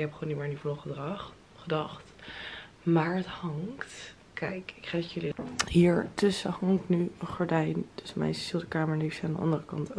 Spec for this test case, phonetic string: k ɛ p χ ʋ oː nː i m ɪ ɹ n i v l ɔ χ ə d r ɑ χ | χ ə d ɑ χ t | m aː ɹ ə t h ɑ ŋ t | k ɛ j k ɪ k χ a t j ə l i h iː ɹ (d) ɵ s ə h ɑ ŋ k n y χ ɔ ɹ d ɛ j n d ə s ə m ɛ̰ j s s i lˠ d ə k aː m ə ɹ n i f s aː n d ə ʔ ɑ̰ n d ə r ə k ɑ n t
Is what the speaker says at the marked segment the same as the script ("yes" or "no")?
no